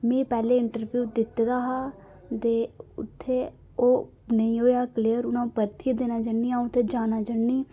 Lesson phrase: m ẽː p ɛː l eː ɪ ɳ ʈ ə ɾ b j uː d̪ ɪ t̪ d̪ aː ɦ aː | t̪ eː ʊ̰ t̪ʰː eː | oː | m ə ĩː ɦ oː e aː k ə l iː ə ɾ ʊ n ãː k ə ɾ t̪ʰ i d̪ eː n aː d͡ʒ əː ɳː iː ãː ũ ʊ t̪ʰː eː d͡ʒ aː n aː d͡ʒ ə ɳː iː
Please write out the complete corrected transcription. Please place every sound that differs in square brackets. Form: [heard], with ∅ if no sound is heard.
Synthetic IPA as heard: m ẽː p ɛː l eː ɪ ɳ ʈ ə ɾ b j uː d̪ ɪ t̪ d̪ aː ɦ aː | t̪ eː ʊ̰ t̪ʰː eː | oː | [n] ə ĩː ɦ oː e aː k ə l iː ə ɾ ʊ n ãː [p] ə ɾ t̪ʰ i d̪ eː n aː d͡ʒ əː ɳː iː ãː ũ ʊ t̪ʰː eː d͡ʒ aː n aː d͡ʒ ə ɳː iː